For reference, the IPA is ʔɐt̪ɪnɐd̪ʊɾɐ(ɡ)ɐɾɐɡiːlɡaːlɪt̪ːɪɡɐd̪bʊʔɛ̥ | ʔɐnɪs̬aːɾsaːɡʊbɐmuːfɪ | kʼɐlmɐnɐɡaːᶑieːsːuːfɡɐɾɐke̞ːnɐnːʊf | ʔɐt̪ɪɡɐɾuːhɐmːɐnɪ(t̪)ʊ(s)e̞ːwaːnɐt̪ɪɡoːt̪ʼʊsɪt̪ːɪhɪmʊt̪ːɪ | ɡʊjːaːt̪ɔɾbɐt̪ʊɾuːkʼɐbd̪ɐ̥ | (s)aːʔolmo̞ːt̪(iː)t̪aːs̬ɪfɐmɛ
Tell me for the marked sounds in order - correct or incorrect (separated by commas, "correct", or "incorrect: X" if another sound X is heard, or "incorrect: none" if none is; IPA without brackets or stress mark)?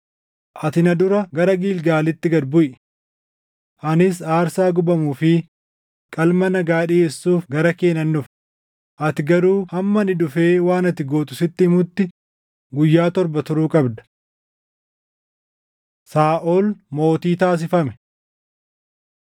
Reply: correct, incorrect: d̪, incorrect: f, correct, correct